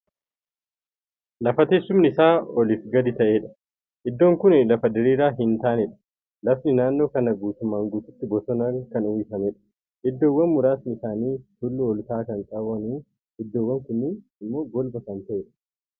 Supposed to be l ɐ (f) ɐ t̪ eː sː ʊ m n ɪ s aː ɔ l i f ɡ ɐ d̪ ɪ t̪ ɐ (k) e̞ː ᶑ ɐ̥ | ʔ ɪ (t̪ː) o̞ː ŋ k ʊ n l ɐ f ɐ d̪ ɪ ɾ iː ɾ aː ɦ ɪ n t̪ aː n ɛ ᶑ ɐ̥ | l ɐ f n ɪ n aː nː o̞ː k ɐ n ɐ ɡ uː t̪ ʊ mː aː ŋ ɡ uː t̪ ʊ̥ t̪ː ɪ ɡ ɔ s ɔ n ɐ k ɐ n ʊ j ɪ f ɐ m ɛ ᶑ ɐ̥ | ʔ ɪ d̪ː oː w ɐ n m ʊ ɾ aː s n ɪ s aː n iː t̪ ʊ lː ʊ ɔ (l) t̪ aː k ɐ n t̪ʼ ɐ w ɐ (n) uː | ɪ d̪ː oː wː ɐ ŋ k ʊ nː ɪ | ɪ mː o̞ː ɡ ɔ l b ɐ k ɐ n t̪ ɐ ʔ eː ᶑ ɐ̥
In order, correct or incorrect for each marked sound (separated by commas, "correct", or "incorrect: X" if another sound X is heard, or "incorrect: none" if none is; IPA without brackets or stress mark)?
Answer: correct, incorrect: ʔ, incorrect: d̪ː, correct, correct